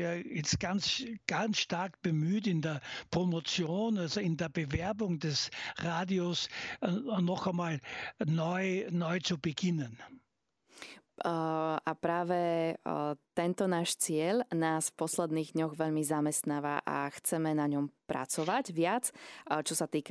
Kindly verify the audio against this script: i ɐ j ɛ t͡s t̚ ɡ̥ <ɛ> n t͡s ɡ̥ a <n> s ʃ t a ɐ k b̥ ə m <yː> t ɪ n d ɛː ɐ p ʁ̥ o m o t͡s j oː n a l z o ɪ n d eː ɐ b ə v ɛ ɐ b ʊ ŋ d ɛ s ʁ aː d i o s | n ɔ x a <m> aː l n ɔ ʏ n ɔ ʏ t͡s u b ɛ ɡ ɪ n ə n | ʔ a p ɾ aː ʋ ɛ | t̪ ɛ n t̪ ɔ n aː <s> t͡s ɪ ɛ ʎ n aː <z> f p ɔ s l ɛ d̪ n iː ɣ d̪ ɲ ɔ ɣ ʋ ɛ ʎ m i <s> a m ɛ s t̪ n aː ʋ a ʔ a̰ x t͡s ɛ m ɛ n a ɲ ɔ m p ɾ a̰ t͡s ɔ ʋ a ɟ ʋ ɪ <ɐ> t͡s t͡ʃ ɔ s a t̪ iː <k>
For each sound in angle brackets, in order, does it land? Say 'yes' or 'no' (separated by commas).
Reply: no, yes, yes, yes, no, no, no, no, yes